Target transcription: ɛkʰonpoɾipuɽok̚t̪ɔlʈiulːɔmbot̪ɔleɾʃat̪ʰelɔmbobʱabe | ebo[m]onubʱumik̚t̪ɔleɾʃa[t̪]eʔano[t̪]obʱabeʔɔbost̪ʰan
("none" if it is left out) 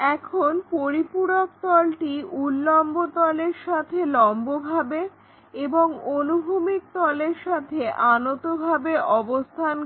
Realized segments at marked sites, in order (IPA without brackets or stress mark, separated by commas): ŋ, t̪ʰ, t̪